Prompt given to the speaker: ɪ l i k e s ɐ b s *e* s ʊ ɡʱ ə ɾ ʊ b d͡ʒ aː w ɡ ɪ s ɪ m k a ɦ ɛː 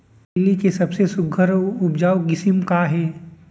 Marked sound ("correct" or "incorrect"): correct